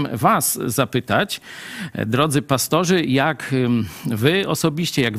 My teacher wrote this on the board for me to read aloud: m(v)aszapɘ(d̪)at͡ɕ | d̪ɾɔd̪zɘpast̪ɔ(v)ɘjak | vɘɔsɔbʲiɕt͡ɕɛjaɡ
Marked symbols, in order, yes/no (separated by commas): yes, no, no